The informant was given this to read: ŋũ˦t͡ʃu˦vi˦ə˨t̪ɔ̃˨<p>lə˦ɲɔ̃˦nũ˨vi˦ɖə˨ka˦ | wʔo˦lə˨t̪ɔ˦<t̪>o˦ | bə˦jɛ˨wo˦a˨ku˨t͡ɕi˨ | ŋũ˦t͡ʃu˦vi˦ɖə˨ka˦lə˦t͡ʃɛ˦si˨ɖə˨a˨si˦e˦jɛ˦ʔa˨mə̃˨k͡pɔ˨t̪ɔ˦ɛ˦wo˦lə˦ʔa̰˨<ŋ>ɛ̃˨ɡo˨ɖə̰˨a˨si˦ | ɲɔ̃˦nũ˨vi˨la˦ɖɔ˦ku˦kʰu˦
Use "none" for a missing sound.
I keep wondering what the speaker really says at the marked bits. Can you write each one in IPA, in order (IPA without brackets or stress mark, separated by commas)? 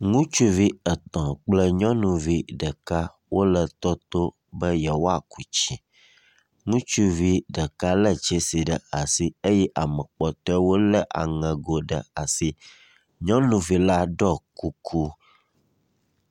k͡p, t̪, ŋ